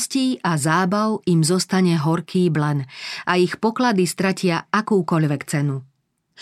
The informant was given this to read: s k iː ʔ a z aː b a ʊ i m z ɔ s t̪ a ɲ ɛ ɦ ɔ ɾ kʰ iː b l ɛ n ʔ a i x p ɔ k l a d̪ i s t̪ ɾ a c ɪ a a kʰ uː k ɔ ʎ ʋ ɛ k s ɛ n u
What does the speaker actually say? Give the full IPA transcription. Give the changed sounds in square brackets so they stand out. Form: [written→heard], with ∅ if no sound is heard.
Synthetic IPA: s [k→c] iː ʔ a z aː b a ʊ i m z ɔ s t̪ a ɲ ɛ ɦ ɔ ɾ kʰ iː b l ɛ n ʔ a i x p ɔ k l a d̪ i s t̪ ɾ a c ɪ a a [kʰ→k] uː k ɔ ʎ ʋ ɛ k [s→t͡s] ɛ n u